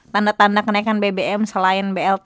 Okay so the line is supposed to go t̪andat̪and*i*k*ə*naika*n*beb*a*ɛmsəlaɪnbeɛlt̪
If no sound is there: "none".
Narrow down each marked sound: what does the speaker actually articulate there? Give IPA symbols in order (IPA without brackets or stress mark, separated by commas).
a, ə, n, e